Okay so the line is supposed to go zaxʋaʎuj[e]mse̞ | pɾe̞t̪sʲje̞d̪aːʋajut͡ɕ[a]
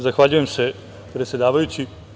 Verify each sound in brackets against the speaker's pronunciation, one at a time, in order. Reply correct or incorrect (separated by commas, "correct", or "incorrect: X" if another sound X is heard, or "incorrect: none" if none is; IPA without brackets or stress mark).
correct, incorrect: i